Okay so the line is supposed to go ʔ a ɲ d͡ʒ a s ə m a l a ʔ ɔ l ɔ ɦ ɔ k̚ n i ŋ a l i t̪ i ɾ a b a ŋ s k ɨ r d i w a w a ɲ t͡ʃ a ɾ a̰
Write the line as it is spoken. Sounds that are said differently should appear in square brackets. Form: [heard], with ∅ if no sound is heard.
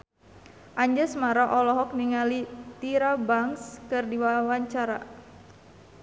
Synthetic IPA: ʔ a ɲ d͡ʒ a s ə m a [ɾ] a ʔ ɔ l ɔ ɦ ɔ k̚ n i ŋ a l i t̪ i ɾ a b a ŋ s k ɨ r d i w a w a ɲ t͡ʃ a ɾ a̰